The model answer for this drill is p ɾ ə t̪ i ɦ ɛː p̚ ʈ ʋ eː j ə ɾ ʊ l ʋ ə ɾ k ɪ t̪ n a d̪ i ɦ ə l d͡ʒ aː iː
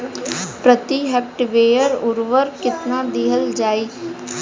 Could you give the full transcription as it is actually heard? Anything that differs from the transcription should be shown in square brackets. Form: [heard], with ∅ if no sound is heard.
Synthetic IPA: p ɾ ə t̪ i ɦ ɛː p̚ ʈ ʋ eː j ə ɾ ʊ [ɾ] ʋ ə ɾ k ɪ t̪ n a d̪ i ɦ ə l d͡ʒ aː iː